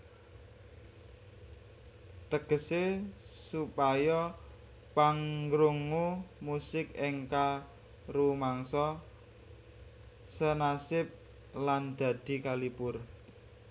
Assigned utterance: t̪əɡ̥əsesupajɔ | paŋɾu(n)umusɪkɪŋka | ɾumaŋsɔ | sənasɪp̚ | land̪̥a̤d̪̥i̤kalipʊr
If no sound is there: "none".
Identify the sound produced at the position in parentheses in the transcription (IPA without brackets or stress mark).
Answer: ŋ